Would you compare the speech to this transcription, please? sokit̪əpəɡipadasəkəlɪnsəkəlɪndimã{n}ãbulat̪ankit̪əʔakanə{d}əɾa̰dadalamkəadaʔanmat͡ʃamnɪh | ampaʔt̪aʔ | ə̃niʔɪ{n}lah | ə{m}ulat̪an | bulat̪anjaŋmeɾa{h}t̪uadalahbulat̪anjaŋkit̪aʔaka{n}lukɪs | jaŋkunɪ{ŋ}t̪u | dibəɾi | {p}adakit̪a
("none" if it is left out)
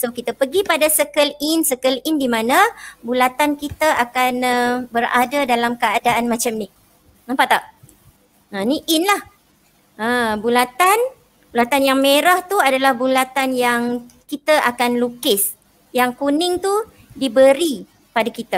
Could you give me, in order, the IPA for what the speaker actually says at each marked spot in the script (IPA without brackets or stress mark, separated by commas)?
n, b, n, b, h, n, ŋ, p